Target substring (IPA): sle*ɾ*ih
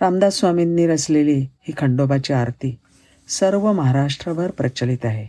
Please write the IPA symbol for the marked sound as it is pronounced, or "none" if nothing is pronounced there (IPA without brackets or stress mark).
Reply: l